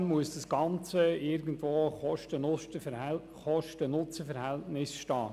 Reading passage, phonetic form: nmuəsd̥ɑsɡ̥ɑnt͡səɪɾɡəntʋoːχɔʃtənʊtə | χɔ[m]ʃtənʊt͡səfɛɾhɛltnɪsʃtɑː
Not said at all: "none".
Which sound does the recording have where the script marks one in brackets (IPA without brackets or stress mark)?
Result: none